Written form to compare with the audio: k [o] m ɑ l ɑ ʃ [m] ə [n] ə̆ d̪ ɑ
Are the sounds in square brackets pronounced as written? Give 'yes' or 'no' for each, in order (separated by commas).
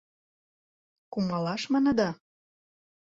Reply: no, yes, yes